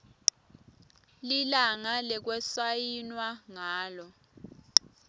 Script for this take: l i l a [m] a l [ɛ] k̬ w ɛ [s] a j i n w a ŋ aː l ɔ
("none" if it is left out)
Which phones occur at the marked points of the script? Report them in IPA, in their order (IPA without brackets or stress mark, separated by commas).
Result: ŋ, ɛ, s